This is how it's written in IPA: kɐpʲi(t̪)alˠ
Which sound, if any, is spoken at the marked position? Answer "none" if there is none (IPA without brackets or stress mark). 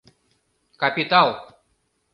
t̪